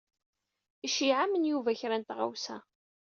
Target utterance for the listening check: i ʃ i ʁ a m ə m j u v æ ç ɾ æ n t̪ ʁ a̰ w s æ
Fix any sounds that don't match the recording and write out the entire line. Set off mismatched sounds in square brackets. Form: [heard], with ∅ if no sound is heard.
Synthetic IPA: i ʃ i [ʕ] a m ə [n] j u v æ ç ɾ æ n t̪ ʁ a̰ w s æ